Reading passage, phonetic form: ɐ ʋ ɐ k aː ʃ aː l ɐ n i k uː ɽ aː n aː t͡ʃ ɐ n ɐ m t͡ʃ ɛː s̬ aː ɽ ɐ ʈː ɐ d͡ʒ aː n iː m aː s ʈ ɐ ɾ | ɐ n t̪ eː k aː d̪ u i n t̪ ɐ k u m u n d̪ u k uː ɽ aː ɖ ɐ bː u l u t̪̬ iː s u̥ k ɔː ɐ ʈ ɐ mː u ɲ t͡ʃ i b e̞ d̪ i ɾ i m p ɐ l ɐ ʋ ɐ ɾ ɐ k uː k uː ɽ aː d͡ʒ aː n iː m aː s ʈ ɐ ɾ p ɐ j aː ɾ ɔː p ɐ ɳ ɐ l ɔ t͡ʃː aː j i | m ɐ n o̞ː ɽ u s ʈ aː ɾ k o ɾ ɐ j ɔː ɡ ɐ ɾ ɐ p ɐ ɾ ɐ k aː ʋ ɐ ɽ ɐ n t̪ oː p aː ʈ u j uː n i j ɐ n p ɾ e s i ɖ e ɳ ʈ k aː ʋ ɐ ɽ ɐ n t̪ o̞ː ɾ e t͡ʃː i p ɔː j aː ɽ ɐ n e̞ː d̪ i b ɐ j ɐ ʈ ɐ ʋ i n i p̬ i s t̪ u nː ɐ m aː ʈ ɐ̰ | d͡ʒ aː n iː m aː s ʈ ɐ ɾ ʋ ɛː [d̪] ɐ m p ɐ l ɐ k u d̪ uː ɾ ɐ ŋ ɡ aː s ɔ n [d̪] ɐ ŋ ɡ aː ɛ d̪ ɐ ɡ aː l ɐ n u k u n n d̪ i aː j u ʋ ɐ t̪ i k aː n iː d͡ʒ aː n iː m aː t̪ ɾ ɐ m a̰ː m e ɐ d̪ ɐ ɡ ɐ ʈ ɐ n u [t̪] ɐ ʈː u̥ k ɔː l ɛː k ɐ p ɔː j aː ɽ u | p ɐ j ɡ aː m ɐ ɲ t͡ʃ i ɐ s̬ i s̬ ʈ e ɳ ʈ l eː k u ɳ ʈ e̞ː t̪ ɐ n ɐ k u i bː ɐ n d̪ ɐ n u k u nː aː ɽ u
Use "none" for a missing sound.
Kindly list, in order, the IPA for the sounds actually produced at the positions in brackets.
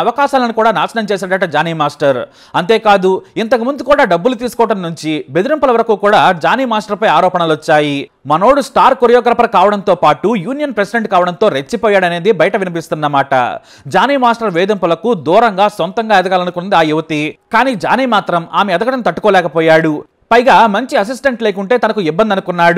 d̪, t̪, t̪

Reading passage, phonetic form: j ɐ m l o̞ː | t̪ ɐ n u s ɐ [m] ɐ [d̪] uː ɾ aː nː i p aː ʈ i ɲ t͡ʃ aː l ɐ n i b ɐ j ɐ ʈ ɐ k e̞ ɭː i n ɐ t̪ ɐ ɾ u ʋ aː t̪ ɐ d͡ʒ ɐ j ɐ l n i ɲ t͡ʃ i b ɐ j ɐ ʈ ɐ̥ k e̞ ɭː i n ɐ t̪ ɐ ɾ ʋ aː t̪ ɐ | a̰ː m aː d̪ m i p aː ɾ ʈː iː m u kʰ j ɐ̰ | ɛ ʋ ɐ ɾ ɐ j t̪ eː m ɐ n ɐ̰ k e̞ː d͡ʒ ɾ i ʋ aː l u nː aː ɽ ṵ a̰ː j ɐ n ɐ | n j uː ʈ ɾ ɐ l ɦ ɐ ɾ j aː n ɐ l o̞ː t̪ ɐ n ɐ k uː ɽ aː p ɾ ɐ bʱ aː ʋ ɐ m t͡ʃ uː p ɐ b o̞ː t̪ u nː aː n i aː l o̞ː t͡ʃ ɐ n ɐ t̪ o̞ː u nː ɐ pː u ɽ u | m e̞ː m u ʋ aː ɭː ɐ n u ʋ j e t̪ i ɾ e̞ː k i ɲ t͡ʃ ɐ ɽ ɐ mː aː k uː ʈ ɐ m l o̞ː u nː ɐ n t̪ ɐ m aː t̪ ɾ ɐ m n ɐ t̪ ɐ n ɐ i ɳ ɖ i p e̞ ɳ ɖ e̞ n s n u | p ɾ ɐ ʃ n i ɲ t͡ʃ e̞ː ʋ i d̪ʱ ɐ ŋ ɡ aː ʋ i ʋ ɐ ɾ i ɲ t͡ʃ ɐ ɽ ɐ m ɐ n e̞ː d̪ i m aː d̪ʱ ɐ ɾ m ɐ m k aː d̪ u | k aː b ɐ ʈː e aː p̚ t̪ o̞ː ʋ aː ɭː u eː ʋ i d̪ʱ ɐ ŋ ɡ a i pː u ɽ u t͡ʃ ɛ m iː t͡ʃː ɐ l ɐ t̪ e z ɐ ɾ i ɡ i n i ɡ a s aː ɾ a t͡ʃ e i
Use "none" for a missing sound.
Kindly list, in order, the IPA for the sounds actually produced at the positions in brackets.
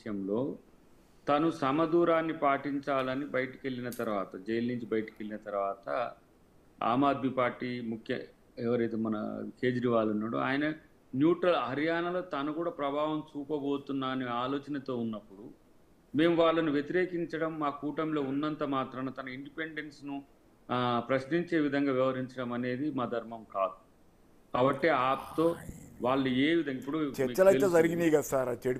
m, d̪

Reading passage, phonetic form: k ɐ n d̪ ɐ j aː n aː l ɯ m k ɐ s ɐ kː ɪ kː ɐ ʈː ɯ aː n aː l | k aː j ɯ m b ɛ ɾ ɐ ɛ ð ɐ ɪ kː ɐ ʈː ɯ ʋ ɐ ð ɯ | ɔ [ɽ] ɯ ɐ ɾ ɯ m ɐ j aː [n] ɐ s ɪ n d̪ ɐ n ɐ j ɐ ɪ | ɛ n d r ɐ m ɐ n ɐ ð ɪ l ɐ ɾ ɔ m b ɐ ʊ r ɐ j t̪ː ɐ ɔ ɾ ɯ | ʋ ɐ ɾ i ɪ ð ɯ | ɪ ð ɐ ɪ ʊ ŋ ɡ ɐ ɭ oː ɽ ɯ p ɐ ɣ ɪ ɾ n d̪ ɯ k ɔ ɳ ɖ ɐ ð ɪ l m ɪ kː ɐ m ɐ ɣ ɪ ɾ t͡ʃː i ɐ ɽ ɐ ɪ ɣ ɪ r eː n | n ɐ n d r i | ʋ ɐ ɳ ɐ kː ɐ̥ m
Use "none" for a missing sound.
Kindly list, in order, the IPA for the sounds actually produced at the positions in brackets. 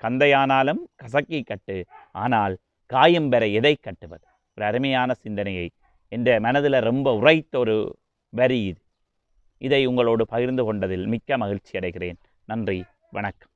ɾ, n

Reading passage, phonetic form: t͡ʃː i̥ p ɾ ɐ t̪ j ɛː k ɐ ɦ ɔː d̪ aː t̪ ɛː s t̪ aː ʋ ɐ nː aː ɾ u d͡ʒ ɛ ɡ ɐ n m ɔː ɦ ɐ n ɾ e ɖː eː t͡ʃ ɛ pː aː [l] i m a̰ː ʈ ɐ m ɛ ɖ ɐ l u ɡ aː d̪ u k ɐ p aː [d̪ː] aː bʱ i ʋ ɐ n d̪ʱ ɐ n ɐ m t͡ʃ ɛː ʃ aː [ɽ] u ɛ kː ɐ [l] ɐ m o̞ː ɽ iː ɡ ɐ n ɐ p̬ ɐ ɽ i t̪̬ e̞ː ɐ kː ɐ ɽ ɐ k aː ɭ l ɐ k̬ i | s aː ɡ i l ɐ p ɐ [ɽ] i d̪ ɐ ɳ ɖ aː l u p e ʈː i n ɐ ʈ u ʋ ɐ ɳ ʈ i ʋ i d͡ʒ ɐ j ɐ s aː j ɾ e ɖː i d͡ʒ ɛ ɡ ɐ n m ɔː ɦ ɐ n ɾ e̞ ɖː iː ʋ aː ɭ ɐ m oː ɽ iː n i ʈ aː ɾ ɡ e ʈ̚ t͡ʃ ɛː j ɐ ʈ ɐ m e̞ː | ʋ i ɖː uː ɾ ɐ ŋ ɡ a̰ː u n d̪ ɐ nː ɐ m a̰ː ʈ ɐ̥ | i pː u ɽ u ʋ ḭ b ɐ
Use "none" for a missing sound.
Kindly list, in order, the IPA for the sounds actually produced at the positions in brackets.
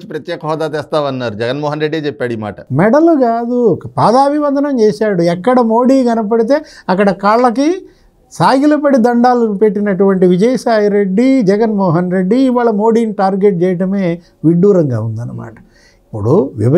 ɽ, d̪, ɽ, ɽ, ɽ

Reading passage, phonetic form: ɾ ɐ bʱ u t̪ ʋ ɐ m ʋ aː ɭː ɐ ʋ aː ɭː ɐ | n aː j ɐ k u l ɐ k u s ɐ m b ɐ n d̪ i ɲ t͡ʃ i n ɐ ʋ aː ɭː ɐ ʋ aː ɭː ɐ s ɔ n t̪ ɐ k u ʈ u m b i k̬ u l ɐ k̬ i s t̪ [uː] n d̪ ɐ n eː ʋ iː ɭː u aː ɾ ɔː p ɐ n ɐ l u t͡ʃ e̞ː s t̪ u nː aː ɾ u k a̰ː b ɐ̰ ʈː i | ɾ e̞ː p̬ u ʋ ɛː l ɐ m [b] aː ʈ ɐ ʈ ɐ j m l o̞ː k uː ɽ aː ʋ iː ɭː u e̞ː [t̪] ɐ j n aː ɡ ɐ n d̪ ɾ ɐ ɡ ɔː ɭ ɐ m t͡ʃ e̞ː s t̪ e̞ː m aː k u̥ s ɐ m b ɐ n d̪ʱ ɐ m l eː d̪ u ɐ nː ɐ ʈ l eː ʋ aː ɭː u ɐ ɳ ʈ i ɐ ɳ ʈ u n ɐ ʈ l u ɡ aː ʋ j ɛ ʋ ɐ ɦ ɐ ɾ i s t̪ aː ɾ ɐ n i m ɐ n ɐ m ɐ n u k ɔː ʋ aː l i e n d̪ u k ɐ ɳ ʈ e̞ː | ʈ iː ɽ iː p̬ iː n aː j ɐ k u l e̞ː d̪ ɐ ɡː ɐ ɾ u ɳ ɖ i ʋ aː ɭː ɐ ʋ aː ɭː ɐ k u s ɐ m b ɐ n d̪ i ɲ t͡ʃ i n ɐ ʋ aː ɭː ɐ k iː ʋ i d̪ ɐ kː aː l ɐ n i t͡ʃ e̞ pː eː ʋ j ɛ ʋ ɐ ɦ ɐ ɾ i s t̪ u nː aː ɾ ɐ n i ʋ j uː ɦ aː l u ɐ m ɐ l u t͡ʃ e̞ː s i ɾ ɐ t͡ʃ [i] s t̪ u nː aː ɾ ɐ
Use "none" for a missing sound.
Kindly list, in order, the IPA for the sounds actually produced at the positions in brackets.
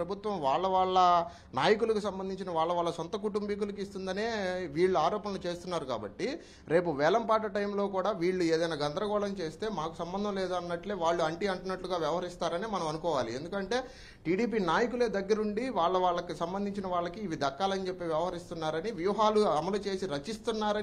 u, p, d̪, i

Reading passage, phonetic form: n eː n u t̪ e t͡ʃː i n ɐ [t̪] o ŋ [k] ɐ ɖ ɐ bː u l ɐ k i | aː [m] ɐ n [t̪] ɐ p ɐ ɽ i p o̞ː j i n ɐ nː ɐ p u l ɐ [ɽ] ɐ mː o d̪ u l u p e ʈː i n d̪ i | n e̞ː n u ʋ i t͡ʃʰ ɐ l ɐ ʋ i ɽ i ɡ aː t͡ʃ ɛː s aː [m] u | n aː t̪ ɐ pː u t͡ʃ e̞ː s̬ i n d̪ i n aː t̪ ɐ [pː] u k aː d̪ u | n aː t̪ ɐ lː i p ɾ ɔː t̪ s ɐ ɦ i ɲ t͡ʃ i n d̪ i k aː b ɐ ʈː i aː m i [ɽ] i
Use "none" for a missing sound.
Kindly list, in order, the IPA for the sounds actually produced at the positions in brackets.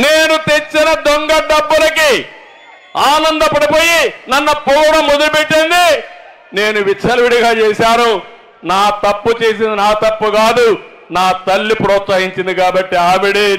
d̪, ɡ, n, d̪, ɽ, n, pː, ɽ

